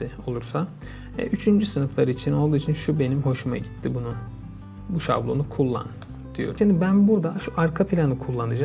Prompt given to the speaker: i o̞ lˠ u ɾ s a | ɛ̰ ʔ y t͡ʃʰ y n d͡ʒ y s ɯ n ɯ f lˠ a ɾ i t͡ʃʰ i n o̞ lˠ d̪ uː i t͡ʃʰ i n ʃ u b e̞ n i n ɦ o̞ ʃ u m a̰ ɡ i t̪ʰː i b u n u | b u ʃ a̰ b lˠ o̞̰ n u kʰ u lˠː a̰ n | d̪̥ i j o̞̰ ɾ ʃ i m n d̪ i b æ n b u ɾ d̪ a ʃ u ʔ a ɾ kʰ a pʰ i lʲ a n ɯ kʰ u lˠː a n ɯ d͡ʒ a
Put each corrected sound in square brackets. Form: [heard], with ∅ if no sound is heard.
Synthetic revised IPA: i o̞ lˠ u ɾ s a | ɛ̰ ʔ y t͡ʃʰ y n d͡ʒ y s ɯ n ɯ f lˠ a ɾ i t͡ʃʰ i n o̞ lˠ d̪ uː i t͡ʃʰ i n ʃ u b e̞ n i [m] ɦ o̞ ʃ u m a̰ [ɟ] i t̪ʰː i b u n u | b u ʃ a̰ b lˠ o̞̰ n u kʰ u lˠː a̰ n | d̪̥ i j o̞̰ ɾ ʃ i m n d̪ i b æ n b u ɾ d̪ a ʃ u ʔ a ɾ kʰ a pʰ i lʲ a n ɯ kʰ u lˠː a n ɯ d͡ʒ a